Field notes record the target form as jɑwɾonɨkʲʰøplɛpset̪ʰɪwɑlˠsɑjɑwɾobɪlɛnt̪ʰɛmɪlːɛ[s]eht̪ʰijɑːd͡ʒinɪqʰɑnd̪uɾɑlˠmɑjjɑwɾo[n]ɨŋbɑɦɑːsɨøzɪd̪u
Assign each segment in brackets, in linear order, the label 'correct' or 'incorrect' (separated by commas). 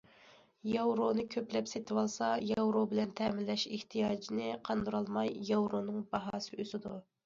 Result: incorrect, correct